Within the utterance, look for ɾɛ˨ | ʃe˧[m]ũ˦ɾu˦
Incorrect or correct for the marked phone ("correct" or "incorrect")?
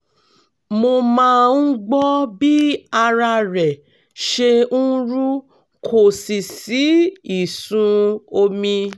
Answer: incorrect